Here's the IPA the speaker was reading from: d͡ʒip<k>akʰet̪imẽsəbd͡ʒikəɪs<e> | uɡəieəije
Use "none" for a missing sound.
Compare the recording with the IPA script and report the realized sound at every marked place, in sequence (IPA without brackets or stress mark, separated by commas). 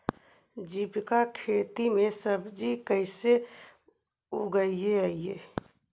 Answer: k, e